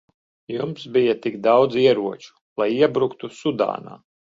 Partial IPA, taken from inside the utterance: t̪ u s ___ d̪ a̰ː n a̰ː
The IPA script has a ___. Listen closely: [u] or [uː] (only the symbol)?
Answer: u